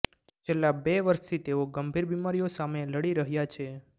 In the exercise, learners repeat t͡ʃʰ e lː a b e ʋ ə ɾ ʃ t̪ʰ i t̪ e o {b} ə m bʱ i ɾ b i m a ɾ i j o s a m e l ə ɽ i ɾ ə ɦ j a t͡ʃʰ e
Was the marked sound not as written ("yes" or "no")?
yes